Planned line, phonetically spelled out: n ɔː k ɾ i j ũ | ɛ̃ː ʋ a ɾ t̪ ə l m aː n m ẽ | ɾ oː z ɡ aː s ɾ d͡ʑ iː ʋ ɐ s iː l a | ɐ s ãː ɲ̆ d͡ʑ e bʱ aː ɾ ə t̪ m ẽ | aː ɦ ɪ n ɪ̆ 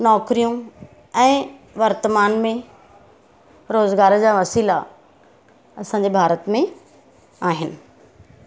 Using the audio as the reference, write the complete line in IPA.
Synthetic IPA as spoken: n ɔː k ɾ i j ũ | ɛ̃ː ʋ ɐ ɾ t̪ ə m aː n m ẽ | ɾ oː z ɡ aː ɾ d͡ʑ aː ʋ ɐ s iː l a | ɐ s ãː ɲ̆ d͡ʑ e bʱ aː ɾ ə t̪ m ẽ | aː ɦ ɪ n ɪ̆